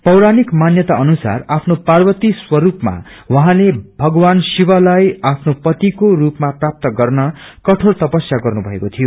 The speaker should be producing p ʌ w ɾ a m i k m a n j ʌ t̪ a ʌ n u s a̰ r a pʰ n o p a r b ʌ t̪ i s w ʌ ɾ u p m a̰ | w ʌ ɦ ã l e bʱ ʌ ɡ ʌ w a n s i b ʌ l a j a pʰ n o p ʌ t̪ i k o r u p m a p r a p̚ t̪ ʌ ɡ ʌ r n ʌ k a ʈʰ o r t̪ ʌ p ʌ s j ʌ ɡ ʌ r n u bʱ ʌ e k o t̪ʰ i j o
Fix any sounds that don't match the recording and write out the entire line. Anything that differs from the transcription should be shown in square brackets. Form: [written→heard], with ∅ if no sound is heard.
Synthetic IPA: p ʌ w ɾ a [m→n] i k m a n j ʌ t̪ a ʌ n u s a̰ r a pʰ n o p a r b ʌ t̪ i s w ʌ ɾ u p m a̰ | w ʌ ɦ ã l e bʱ ʌ ɡ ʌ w a n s i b ʌ l a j a pʰ n o p ʌ t̪ i k o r u p m a p r a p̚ t̪ ʌ ɡ ʌ r n ʌ k [a→ʌ] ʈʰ o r t̪ ʌ p ʌ s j [ʌ→a] ɡ ʌ r n u bʱ ʌ e k o t̪ʰ i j o